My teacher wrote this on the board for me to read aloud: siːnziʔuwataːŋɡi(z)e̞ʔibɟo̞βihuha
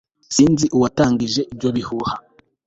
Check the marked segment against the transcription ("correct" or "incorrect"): incorrect